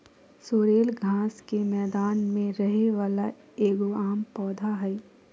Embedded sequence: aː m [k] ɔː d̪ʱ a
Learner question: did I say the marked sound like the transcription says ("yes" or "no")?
no